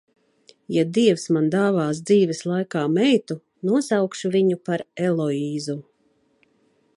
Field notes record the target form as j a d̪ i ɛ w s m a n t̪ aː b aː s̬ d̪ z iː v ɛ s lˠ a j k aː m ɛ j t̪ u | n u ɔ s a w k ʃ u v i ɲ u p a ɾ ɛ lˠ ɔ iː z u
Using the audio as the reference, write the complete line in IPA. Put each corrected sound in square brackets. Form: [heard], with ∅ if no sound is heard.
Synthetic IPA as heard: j a d̪ i ɛ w s m a n [d̪] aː [v] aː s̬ d̪ z iː v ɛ s lˠ a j k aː m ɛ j t̪ u | n u ɔ s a w k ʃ u v i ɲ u p a ɾ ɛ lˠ ɔ iː z u